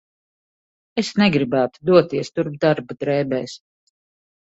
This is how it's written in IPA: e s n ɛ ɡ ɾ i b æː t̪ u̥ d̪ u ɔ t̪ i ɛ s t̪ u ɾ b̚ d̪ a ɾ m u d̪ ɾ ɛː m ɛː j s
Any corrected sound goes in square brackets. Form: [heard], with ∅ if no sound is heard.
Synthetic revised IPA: e s n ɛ ɡ ɾ i b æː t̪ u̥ d̪ u ɔ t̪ i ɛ s t̪ u ɾ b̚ d̪ a ɾ [b] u d̪ ɾ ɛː [b] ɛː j s